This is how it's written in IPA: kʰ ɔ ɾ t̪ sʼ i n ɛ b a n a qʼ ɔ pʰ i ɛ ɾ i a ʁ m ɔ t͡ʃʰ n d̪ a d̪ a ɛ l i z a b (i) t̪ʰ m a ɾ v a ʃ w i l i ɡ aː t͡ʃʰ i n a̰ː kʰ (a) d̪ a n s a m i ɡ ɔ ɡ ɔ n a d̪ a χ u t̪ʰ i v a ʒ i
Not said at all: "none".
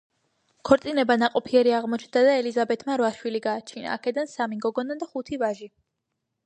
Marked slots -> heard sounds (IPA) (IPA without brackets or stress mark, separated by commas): ɛ, ɛ